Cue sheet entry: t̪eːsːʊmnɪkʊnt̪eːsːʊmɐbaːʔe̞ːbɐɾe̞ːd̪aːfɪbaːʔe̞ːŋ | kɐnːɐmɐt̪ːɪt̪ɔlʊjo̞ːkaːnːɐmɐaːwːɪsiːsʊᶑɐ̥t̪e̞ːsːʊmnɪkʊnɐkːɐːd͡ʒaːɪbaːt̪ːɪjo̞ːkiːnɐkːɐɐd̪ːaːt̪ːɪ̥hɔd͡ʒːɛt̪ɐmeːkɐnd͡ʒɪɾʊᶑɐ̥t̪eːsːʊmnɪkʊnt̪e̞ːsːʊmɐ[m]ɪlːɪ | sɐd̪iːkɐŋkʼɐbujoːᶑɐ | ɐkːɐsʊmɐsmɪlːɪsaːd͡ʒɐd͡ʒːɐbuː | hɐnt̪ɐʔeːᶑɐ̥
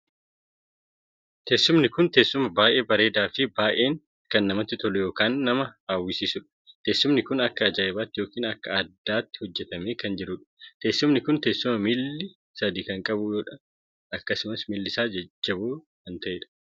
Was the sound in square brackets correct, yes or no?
yes